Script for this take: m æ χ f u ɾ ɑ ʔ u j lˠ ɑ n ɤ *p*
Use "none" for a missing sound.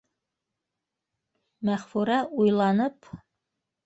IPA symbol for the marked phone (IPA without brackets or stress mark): p